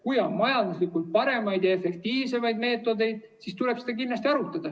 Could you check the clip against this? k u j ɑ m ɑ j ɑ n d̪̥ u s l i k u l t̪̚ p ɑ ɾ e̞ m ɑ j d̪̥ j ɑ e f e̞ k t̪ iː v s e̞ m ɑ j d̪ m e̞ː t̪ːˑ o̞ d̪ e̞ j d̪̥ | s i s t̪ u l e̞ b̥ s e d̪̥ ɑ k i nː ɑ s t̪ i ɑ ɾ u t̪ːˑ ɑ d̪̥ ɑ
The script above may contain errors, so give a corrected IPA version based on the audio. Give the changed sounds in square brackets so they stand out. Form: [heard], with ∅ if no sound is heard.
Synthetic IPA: k u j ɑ m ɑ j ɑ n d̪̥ u s l i k u l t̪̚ p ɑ ɾ e̞ m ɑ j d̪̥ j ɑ e f e̞ k t̪ iː v s e̞ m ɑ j d̪ m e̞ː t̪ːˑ o̞ d̪ e̞ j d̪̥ | s i s t̪ u l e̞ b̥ s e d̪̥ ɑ k i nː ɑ s t̪ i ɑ ɾ u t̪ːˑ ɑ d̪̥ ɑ